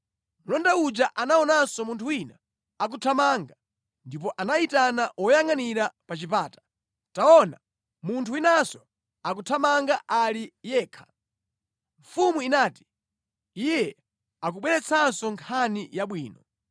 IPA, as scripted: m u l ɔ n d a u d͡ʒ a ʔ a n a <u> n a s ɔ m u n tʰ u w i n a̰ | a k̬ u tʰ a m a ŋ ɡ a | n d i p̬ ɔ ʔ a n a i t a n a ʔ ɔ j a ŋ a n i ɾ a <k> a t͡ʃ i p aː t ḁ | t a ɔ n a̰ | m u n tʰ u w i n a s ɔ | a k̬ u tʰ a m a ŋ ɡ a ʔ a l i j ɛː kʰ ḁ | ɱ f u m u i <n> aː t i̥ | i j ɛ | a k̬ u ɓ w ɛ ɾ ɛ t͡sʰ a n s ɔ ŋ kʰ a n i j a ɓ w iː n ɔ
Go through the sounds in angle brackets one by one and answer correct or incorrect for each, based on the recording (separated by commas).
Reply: incorrect, incorrect, correct